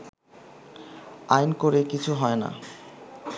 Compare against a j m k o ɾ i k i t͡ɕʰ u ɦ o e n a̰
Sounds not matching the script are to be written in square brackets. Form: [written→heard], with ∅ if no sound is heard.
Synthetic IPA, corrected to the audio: a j [m→n] k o ɾ [i→e] k i t͡ɕʰ u ɦ [o→ɔ] e n a̰